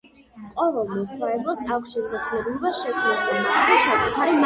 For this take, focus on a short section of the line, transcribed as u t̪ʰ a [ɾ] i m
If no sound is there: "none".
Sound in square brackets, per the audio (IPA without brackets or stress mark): ɾ